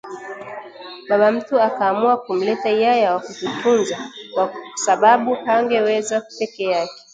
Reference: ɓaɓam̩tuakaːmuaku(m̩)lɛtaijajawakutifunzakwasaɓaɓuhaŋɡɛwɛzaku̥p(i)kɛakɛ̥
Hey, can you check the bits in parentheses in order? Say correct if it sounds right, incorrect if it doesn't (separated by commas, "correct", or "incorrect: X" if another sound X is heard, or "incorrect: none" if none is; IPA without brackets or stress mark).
correct, incorrect: ɛ